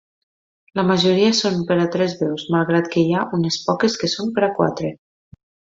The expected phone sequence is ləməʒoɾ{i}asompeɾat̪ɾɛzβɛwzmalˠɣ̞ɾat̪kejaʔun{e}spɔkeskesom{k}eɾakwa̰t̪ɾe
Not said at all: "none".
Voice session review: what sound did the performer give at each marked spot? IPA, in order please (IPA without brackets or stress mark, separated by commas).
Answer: i, e, p